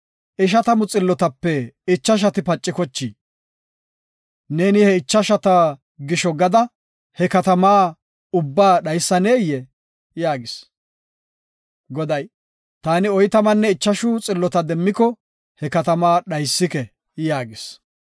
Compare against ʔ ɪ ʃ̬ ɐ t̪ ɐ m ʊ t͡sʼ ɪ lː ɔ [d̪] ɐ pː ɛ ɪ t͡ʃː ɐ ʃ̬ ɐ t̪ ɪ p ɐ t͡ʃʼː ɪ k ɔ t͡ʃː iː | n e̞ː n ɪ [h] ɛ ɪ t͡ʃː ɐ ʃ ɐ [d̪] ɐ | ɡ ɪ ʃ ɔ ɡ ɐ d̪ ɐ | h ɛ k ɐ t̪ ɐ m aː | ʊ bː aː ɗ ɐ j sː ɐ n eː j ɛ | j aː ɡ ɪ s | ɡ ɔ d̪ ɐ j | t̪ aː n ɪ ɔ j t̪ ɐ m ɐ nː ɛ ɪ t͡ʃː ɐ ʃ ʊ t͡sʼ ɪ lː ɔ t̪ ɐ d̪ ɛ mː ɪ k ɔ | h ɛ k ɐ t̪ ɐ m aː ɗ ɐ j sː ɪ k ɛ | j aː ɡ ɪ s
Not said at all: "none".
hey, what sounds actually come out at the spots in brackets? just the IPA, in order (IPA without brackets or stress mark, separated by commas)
t̪, h, t̪